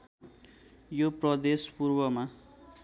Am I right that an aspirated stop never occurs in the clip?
yes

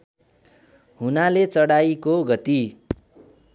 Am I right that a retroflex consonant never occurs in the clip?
no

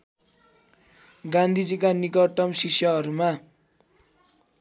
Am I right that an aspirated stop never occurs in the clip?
yes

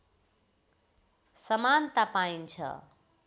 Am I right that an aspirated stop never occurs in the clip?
no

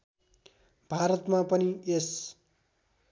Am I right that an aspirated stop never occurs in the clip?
yes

